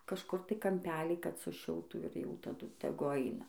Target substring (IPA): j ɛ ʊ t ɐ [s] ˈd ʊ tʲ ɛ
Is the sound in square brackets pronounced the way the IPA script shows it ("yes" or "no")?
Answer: no